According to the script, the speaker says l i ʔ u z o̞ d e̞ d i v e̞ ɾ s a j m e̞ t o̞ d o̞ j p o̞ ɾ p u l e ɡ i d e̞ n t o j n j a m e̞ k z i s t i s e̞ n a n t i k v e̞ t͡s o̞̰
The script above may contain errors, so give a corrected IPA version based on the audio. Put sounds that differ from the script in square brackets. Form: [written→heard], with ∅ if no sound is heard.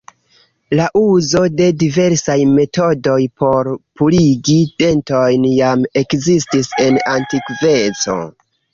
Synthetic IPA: l [i→a] ʔ u z o̞ d e̞ d i v e̞ ɾ s a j m e̞ t o̞ d o̞ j p o̞ ɾ p u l [e→i] ɡ i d e̞ n t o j n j a m e̞ k z i s t i s e̞ n a n t i k v e̞ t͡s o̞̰